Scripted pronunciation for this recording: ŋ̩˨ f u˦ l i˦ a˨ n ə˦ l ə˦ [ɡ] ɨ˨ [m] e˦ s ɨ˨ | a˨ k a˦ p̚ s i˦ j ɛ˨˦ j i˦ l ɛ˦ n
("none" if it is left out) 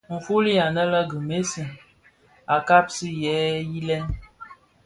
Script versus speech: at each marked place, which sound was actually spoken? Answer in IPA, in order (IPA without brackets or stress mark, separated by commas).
ɡ, m